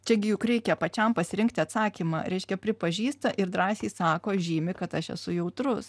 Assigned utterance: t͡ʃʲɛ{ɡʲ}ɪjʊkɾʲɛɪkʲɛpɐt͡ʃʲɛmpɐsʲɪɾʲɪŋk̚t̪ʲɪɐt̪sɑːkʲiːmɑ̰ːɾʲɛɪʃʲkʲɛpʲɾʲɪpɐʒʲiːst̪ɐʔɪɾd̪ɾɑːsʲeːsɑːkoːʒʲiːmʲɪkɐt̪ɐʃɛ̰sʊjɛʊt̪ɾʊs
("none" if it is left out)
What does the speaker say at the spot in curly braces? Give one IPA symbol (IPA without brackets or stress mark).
ɡʲ